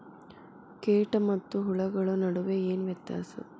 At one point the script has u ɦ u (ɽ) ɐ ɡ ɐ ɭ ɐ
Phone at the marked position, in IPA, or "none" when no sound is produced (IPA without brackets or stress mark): ɭ